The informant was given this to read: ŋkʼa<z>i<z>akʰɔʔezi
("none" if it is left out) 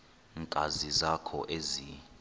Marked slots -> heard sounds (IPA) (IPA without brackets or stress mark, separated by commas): z, z